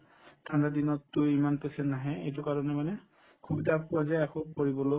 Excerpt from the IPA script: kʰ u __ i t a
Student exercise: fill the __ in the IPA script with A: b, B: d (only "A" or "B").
A